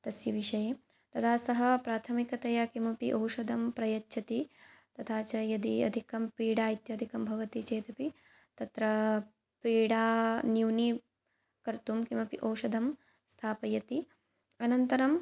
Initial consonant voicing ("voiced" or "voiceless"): voiceless